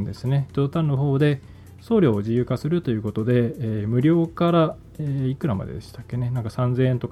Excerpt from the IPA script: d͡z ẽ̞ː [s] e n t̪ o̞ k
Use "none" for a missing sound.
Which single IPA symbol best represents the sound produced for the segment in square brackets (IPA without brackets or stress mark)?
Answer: none